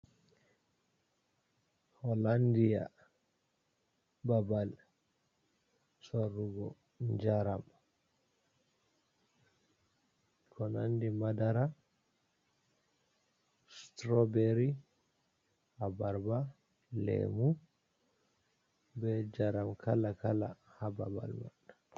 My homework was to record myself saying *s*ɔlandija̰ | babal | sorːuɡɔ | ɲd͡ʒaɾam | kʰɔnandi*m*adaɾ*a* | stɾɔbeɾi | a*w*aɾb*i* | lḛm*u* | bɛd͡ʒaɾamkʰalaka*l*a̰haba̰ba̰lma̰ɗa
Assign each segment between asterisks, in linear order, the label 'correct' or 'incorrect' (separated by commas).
incorrect, correct, correct, incorrect, incorrect, correct, correct